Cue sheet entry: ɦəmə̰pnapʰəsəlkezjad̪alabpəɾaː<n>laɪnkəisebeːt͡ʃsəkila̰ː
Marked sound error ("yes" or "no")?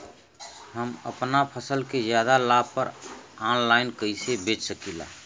no